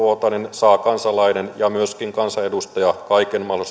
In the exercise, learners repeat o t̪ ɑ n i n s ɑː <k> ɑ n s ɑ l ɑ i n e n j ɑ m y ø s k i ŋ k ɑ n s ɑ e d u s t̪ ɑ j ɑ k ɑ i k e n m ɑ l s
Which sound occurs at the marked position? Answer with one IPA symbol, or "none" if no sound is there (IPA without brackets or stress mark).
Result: k